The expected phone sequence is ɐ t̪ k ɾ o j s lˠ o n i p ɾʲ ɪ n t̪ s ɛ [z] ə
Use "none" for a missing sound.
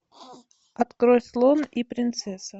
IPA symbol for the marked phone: s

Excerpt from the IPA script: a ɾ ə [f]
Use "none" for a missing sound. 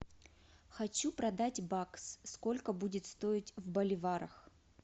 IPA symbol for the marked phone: x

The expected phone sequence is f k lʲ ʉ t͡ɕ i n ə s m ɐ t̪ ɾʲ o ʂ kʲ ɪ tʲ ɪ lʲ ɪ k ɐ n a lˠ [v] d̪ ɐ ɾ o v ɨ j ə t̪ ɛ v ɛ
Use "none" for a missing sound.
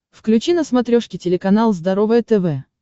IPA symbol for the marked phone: z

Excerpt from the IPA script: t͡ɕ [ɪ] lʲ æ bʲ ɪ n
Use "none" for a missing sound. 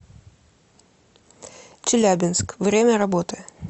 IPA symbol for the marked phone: ɪ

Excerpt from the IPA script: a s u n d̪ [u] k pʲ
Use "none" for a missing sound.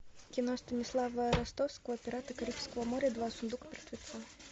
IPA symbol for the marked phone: u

